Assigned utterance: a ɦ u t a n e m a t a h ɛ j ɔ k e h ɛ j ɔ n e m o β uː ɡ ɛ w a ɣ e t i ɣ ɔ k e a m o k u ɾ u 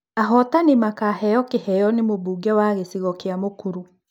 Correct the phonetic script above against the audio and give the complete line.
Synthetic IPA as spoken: a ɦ ɔ t a n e m a k a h ɛ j ɔ k e h ɛ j ɔ n e m o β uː ɡ ɛ w a ɣ e s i ɣ ɔ k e a m o k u ɾ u